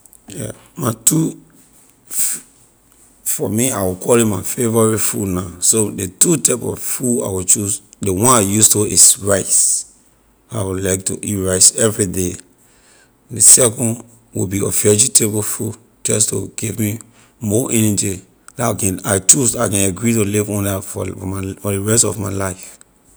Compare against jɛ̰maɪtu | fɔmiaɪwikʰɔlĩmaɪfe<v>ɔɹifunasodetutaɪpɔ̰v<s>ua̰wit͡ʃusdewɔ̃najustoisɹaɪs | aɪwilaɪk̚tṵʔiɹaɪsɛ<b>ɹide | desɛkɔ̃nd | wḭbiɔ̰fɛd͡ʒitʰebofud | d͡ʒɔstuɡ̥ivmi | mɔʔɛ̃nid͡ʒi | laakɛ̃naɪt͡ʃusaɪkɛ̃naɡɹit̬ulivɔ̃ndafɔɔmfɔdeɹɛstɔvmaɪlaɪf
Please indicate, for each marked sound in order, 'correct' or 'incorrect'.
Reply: correct, incorrect, incorrect

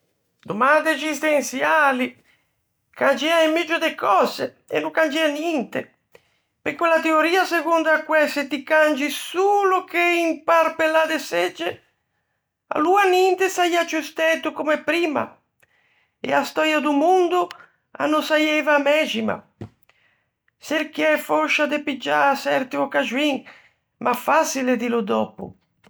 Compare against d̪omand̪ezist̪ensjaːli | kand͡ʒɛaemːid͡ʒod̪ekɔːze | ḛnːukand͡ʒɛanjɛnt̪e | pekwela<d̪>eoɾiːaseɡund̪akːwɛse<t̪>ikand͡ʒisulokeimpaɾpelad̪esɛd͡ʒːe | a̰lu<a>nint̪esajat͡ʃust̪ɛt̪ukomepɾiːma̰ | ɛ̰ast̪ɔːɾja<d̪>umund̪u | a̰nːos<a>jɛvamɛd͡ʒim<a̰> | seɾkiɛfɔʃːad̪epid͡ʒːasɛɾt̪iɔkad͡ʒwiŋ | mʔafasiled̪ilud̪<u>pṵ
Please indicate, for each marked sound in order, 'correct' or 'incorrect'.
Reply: incorrect, correct, correct, correct, correct, correct, incorrect

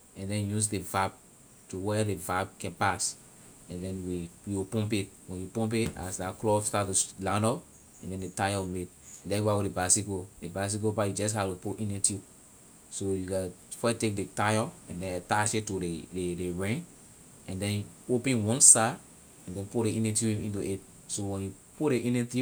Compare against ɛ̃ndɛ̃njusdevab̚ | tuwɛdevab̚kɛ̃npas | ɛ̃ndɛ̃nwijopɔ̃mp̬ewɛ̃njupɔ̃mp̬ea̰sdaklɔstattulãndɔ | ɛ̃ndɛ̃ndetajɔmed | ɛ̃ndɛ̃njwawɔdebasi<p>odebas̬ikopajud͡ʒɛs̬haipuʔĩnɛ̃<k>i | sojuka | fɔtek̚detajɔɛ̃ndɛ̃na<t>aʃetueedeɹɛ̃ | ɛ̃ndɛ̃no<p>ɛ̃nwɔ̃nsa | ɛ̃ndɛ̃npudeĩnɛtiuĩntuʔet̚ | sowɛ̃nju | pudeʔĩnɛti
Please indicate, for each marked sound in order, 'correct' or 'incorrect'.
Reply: incorrect, incorrect, correct, correct

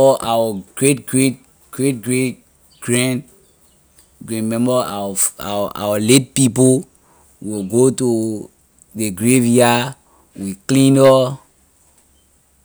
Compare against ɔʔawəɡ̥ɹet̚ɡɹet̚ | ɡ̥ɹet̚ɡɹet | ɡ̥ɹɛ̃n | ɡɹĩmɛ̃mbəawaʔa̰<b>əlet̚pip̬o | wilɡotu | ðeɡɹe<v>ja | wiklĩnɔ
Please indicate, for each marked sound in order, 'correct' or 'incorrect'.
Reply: incorrect, correct

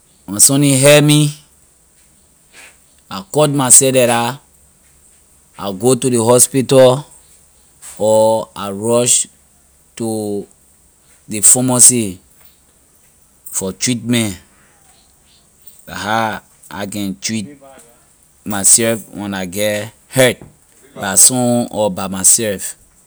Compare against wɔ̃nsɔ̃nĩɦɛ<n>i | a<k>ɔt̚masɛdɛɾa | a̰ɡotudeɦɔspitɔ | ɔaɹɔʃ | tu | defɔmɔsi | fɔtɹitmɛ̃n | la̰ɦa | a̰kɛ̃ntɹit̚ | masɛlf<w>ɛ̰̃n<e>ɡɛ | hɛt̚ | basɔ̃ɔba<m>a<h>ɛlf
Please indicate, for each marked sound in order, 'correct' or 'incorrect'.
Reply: incorrect, correct, correct, incorrect, correct, incorrect

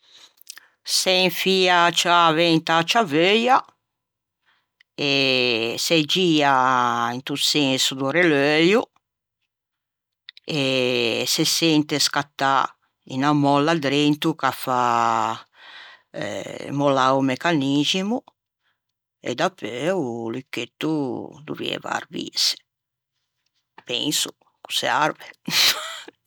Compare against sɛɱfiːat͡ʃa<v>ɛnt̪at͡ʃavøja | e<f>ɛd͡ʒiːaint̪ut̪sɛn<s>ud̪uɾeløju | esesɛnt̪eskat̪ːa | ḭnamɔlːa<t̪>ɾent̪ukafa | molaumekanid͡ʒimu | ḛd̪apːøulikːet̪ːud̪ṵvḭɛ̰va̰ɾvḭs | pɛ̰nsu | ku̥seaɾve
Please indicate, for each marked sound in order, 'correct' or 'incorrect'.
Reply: correct, incorrect, correct, incorrect

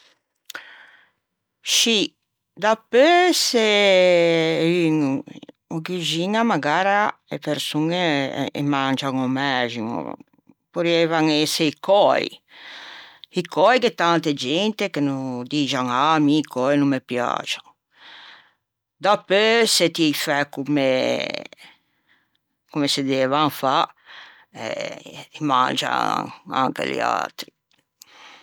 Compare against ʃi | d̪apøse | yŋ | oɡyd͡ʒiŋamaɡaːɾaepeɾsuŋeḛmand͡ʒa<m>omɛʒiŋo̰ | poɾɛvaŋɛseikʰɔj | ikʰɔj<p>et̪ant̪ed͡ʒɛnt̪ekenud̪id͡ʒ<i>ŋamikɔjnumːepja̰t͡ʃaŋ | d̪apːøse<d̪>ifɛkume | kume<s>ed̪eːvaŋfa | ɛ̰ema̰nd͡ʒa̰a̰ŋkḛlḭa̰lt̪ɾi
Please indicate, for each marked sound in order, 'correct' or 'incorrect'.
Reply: incorrect, incorrect, incorrect, incorrect, correct

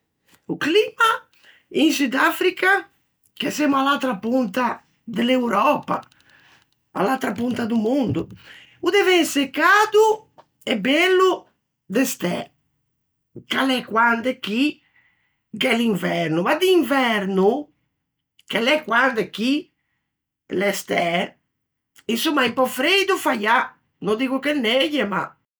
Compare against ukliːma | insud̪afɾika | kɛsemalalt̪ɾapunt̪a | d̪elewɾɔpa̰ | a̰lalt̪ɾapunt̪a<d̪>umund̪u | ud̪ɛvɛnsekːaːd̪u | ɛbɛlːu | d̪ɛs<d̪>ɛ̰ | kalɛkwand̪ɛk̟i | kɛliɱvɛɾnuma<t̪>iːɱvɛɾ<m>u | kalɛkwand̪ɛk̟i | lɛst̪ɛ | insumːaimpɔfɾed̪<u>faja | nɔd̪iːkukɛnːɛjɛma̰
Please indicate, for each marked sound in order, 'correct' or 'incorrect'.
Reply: correct, incorrect, incorrect, incorrect, correct

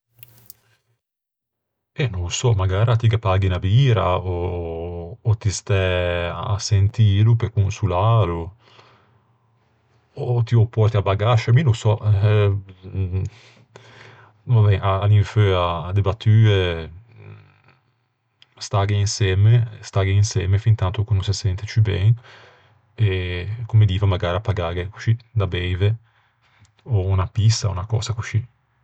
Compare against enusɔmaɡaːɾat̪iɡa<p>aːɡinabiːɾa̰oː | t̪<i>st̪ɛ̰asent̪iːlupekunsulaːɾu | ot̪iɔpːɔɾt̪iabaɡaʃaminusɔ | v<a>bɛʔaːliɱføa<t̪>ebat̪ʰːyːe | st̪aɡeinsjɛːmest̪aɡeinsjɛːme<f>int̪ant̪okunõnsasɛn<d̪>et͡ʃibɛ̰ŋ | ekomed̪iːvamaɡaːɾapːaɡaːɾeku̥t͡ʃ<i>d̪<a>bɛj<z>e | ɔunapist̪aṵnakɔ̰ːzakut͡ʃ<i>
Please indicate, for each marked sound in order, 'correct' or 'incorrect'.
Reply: correct, correct, correct, incorrect, correct, incorrect, correct, correct, incorrect, correct

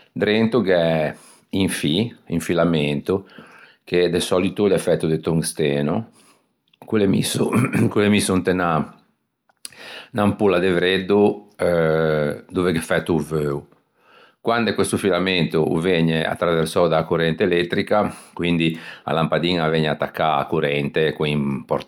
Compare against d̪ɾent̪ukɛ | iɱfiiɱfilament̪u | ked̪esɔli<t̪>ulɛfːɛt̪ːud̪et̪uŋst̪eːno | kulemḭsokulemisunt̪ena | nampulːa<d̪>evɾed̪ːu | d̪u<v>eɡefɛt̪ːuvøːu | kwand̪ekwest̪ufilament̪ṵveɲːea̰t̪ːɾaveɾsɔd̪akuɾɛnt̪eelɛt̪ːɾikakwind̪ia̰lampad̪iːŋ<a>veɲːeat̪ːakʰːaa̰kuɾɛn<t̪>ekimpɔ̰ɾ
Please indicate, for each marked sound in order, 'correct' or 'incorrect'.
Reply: correct, correct, correct, correct, correct

